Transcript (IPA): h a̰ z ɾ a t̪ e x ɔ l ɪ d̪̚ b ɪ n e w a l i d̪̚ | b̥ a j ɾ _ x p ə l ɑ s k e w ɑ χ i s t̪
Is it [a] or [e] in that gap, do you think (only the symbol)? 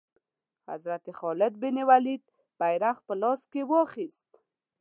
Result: a